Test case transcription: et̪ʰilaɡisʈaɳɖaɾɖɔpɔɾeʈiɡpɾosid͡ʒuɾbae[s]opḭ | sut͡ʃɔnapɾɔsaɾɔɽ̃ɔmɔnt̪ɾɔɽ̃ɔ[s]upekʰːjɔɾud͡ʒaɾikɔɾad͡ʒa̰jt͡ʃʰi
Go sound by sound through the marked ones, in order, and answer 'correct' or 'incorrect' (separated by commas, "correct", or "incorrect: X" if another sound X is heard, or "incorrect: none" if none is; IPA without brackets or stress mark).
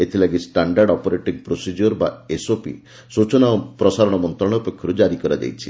correct, incorrect: none